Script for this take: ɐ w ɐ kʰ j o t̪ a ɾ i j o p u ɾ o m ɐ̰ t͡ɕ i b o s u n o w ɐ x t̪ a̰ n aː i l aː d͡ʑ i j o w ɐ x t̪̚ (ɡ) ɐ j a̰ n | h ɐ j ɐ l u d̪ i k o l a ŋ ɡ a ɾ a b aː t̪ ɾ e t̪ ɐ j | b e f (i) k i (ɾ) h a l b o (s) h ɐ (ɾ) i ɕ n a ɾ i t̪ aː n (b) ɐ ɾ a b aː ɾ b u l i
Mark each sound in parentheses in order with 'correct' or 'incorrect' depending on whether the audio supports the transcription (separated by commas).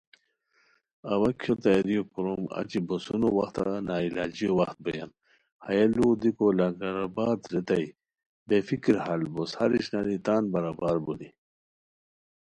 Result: incorrect, correct, correct, correct, correct, correct